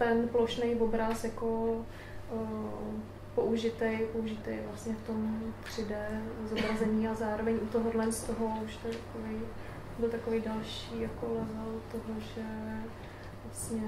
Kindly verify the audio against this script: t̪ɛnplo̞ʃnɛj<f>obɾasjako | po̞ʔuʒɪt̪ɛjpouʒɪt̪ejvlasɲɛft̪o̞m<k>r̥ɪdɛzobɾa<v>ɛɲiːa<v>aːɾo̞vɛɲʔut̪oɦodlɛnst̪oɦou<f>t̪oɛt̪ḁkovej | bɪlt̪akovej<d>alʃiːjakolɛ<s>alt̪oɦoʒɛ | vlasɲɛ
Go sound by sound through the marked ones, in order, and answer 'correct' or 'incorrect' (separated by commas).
incorrect, incorrect, incorrect, incorrect, incorrect, correct, incorrect